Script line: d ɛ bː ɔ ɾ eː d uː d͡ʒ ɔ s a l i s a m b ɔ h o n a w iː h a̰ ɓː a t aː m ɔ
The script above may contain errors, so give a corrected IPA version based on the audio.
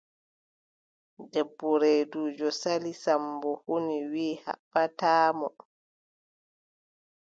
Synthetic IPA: d ɛ bː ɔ ɾ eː d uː d͡ʒ ɔ s a l i s a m b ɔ h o n i w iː h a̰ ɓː a t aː m ɔ